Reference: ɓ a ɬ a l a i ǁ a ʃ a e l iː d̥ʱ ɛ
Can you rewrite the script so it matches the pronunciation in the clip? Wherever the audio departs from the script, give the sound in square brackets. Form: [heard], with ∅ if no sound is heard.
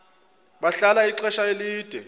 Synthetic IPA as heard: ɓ a ɬ a l a i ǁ [ɛ] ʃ a e l iː d̥ʱ ɛ